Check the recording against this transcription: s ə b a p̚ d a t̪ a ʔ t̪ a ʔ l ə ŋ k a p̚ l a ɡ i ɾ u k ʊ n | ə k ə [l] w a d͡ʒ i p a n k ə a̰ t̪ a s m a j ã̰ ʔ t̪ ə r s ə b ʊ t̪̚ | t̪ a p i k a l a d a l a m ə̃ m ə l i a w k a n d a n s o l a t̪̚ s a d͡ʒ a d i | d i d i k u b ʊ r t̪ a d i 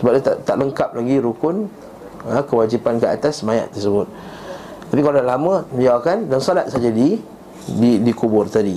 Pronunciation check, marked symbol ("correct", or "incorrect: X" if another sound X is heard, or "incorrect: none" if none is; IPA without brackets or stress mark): incorrect: none